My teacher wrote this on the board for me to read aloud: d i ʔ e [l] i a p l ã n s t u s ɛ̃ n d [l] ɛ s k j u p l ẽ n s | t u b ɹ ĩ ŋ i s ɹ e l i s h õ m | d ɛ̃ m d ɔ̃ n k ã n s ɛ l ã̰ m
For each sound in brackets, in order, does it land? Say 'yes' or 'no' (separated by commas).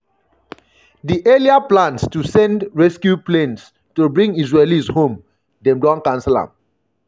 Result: yes, no